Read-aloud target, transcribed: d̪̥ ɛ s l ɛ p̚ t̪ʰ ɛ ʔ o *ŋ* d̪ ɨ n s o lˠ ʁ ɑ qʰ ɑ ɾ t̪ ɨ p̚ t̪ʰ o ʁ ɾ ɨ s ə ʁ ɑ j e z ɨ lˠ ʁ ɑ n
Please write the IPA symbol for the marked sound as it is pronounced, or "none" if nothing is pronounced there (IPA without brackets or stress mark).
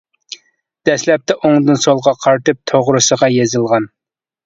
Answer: ŋ